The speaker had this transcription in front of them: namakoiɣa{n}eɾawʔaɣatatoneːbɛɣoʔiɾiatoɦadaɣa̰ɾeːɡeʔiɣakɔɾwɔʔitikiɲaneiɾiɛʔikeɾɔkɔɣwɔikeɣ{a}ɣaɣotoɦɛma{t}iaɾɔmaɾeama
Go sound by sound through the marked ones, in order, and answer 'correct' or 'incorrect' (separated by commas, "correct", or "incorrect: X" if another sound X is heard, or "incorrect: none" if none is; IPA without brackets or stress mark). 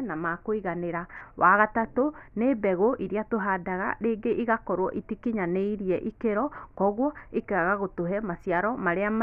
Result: correct, correct, incorrect: s